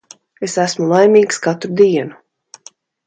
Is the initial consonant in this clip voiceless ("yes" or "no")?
yes